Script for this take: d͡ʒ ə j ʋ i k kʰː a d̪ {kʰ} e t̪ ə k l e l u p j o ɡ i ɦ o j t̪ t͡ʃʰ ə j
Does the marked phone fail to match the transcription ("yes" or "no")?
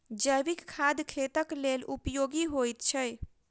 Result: no